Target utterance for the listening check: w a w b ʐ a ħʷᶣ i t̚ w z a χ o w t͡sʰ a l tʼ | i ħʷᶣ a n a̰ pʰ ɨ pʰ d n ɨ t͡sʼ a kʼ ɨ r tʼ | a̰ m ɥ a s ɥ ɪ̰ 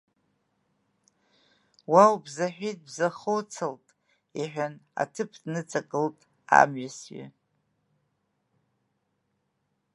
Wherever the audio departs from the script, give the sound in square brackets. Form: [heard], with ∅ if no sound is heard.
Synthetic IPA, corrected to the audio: w a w b [z] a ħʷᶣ i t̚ [b] z a χ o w t͡sʰ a l tʼ | i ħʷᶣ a n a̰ [tʰ] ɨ pʰ d n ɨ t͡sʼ a kʼ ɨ [l] tʼ | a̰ m ɥ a s ɥ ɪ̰